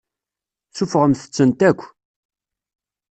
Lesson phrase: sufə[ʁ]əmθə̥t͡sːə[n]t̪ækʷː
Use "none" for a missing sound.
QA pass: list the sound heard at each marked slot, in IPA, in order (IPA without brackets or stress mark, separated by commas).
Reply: ʁ, n